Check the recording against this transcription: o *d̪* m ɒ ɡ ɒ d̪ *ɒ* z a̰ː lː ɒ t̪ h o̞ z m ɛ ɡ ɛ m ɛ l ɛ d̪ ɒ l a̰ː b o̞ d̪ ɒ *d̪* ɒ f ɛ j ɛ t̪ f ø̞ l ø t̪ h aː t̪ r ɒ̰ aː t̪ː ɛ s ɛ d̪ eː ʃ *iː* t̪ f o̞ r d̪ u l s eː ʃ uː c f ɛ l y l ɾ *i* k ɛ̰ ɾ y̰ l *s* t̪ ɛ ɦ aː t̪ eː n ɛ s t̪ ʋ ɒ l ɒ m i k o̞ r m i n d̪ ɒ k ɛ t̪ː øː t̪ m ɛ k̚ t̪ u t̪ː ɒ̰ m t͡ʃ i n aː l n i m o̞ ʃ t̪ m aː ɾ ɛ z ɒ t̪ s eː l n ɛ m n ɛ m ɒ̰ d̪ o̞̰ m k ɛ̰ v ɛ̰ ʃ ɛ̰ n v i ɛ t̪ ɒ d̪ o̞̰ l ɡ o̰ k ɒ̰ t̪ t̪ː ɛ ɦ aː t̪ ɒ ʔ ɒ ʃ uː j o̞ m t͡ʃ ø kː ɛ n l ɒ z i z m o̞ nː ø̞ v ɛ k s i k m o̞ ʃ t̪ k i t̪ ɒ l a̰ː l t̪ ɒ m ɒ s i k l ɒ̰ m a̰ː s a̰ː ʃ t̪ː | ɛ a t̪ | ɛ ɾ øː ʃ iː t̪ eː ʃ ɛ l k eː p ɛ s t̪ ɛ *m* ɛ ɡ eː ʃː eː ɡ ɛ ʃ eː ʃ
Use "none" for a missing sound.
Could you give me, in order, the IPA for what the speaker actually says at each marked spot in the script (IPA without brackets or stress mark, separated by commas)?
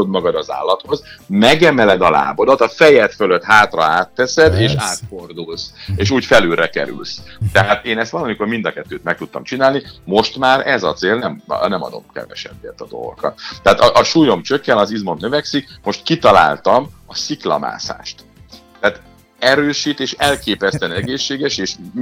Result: d̪, ɒ, t̪, aː, ɛ, s, n